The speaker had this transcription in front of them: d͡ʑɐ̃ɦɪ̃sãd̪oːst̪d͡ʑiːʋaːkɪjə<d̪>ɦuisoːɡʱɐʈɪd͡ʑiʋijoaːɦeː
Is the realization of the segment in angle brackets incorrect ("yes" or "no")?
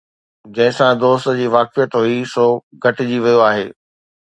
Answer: yes